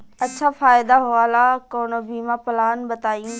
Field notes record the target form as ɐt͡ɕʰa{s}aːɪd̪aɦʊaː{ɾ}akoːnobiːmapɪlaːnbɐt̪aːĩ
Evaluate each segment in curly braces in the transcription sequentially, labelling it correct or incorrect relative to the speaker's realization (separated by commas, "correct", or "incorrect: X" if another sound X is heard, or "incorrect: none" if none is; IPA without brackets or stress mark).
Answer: incorrect: f, incorrect: l